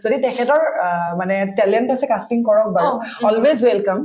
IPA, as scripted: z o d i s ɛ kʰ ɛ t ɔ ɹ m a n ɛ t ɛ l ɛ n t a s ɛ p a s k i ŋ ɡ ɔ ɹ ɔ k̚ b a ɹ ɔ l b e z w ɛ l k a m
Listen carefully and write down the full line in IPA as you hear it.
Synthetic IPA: z o d i t ɛ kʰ ɛ t ɔ ɹ m a n ɛ t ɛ l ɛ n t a s ɛ k a s t i ŋ k ɔ ɹ ɔ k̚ b a ɹ ɔ l w e z w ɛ l k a m